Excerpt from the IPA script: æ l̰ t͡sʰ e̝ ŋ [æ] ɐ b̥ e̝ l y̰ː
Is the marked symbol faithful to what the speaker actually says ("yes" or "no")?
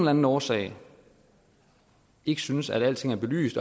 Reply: yes